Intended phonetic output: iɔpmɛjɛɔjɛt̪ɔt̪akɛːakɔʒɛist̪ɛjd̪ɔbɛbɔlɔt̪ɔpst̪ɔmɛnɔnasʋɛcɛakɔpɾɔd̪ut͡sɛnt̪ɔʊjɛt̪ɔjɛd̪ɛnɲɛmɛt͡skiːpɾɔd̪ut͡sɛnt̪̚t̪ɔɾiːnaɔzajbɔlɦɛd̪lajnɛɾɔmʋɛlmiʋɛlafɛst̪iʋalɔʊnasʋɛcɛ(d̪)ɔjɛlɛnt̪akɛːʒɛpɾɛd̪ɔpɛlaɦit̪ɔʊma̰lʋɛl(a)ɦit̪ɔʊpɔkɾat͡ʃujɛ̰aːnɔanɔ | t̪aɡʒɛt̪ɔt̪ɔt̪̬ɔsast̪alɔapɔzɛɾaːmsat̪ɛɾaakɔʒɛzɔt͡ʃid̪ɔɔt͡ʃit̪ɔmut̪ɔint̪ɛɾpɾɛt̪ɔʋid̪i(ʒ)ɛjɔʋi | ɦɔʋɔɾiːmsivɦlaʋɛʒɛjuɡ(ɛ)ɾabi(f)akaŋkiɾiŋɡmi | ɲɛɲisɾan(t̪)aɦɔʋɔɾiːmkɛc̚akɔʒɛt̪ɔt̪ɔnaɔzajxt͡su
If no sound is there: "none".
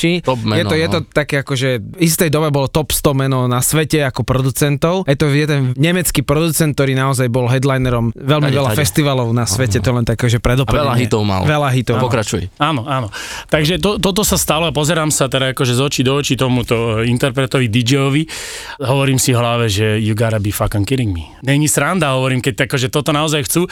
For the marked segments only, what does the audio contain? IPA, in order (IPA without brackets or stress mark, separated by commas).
t̪, a, d͡ʒ, a, f, d̪